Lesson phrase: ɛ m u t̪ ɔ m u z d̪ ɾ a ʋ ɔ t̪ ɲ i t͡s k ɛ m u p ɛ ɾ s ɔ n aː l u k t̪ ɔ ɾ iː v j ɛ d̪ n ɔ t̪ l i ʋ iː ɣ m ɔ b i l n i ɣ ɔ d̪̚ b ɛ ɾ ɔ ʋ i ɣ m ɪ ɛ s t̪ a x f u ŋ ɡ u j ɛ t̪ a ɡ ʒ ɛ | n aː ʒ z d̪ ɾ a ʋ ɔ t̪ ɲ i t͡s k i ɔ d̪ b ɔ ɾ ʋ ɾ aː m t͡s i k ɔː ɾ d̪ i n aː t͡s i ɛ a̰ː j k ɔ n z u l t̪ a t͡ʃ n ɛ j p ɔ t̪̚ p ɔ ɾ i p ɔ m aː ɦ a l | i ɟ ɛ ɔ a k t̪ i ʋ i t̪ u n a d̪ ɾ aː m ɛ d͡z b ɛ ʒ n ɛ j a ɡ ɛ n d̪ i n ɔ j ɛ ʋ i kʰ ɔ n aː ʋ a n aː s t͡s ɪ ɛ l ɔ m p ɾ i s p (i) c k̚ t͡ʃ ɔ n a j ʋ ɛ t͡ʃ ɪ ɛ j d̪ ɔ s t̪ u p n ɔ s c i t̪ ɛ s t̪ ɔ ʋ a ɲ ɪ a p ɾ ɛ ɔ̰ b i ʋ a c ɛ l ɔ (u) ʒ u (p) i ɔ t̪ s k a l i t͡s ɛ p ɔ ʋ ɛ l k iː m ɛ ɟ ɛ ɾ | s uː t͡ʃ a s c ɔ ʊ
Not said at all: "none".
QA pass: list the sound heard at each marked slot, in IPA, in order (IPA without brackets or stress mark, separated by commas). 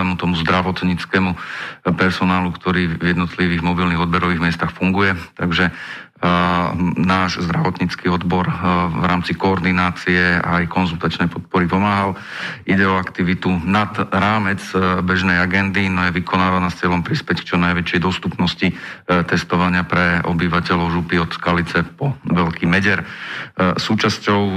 ɛ, ʊ, p